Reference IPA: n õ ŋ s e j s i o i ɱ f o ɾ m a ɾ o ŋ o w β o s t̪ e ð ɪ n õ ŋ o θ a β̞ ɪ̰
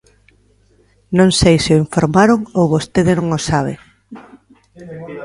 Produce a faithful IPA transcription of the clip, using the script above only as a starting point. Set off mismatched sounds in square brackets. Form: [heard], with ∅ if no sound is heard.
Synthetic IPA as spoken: n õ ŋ s e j s [ɪ] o i ɱ f o ɾ m a ɾ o ŋ o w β o s t̪ e ð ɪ n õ ŋ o [s] a β̞ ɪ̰